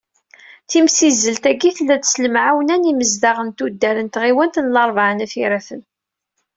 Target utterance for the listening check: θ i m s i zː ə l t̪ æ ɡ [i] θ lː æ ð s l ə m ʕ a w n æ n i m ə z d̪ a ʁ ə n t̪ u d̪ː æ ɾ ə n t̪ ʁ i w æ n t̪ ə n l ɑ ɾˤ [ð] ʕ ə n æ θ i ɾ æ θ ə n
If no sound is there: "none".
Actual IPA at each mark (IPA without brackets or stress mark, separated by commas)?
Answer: i, v